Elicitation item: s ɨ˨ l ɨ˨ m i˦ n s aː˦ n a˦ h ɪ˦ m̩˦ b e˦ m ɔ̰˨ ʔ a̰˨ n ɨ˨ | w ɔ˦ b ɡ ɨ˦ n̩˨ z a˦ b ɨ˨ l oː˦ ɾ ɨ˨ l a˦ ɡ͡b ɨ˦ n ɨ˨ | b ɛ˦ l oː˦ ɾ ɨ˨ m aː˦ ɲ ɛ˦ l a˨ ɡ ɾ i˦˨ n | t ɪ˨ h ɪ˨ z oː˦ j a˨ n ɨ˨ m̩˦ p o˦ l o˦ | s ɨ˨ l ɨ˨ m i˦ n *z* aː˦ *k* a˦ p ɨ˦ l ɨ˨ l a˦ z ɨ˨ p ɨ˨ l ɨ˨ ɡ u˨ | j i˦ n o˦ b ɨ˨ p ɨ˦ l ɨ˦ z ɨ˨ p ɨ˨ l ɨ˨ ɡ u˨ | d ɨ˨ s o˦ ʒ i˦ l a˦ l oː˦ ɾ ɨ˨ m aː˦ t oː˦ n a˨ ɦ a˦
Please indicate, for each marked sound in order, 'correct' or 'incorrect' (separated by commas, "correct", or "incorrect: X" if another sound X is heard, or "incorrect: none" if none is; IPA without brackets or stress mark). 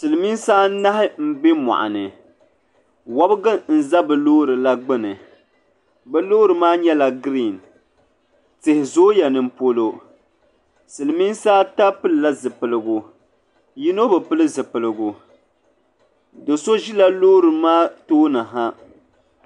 incorrect: s, incorrect: t